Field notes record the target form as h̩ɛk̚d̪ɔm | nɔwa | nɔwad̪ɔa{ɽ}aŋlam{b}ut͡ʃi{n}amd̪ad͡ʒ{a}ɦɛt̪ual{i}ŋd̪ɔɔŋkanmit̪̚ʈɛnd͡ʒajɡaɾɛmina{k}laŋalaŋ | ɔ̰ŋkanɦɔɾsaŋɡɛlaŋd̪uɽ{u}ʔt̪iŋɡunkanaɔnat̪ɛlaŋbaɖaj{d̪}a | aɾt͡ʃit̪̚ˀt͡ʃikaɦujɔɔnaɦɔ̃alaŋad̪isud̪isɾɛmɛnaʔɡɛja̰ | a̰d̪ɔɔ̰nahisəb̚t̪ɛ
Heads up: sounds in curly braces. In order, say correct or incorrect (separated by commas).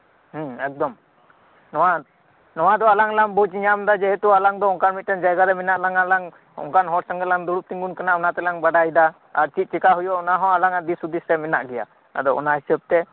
incorrect, correct, incorrect, incorrect, incorrect, incorrect, correct, correct